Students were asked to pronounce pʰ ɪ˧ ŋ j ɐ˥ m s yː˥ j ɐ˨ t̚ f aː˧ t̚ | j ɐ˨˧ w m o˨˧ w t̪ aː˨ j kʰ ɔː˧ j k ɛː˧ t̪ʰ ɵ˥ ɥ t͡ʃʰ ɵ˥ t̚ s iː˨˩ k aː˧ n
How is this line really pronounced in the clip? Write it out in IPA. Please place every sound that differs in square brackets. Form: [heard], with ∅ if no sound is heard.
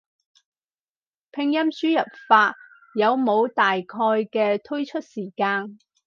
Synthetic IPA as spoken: pʰ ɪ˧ ŋ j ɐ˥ m s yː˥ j ɐ˨ [p̚] f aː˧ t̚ | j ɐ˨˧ w m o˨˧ w t̪ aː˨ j kʰ ɔː˧ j k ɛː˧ t̪ʰ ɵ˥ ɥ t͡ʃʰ ɵ˥ t̚ s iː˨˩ k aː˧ n